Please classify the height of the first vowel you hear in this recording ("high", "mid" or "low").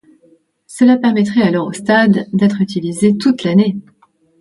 mid